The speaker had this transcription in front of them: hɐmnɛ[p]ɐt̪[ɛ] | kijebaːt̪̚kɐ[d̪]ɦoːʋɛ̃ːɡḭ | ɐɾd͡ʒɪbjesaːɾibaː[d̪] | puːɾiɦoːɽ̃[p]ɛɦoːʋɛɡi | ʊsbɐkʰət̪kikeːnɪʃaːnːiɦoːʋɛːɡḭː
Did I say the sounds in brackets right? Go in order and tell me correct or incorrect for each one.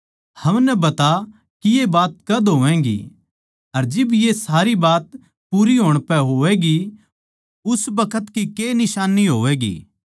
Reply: incorrect, incorrect, correct, incorrect, correct

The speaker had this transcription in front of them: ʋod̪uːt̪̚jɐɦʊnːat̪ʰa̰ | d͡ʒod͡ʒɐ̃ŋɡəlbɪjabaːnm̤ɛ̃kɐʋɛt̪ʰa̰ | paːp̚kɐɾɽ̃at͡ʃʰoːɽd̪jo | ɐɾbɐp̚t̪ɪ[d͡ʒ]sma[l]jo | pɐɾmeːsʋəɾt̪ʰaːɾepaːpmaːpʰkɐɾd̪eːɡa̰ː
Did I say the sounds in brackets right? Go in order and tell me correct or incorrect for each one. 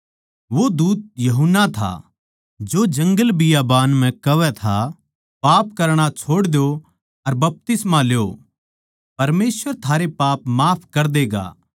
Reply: incorrect, correct

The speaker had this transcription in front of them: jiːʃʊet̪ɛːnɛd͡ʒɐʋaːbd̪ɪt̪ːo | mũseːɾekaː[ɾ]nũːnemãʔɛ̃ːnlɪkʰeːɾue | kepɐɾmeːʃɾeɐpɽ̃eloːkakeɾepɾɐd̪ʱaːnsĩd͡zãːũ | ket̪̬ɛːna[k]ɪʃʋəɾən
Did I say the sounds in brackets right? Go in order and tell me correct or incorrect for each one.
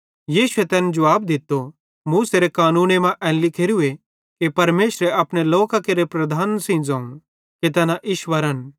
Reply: incorrect, incorrect

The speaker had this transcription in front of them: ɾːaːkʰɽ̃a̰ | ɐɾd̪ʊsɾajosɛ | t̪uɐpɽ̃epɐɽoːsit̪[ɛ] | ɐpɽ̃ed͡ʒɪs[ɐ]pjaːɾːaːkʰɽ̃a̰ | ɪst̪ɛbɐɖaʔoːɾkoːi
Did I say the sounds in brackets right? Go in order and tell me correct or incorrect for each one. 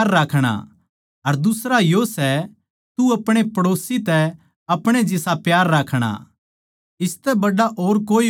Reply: correct, incorrect

